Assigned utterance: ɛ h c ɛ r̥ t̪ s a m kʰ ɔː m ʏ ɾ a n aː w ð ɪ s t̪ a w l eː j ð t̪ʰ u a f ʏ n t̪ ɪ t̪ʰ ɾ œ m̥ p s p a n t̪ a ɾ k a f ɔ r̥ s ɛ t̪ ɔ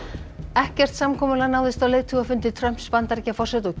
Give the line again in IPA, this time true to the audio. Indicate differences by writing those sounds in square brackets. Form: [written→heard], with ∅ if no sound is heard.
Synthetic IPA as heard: ɛ h c ɛ r̥ t̪ s a m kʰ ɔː m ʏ [ɾ→l] a n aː w ð ɪ s t̪ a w l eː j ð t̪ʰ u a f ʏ n t̪ ɪ t̪ʰ ɾ œ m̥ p s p a n t̪ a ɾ [k→c] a f ɔ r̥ s ɛ t̪ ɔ